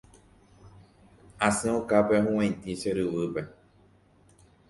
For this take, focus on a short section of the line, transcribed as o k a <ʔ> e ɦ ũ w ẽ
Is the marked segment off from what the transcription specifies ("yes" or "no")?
yes